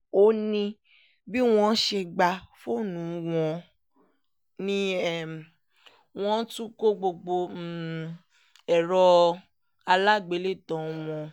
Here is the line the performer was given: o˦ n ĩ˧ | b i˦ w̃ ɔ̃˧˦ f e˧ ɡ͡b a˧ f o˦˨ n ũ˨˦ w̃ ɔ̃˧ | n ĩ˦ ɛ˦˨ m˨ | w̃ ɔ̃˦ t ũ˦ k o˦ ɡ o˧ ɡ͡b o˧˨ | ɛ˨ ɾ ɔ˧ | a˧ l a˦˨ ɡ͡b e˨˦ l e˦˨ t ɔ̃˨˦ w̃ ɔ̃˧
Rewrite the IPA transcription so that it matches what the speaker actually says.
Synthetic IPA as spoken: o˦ n ĩ˧ | b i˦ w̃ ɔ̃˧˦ ʃ e˧ ɡ͡b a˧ f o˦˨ n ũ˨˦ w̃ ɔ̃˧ | n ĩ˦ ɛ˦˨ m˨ | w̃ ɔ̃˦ t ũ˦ k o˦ ɡ͡b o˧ ɡ͡b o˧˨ | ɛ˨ ɾ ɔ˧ | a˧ l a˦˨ ɡ͡b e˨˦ l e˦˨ t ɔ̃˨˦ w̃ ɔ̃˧